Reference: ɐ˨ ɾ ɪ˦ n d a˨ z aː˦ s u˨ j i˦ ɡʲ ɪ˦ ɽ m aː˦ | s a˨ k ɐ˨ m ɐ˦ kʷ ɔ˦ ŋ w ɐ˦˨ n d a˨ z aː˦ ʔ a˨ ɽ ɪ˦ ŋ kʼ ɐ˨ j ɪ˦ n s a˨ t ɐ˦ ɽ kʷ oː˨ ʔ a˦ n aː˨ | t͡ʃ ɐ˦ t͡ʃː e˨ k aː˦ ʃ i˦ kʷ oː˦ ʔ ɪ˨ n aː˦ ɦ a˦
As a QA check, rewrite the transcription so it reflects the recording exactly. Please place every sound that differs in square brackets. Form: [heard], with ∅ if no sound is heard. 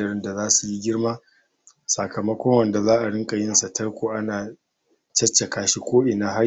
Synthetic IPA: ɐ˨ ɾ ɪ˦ n d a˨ z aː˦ s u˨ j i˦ ɡʲ ɪ˦ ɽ m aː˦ | s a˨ k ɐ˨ m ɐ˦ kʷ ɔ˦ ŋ w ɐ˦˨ n d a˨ z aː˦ ʔ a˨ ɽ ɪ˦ ŋ kʼ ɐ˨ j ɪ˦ n s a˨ t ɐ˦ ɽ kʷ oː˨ ʔ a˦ n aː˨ | t͡ʃ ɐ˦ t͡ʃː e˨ k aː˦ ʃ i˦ kʷ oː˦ ʔ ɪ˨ n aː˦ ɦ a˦